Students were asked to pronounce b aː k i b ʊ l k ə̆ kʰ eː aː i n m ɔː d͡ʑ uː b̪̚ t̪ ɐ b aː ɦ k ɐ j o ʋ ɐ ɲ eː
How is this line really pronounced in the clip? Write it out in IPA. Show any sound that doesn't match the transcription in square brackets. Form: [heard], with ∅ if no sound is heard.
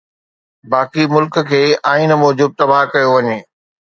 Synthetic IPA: b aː k i [m] ʊ l k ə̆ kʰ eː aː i n m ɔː d͡ʑ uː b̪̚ t̪ ɐ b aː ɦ k ɐ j o ʋ ɐ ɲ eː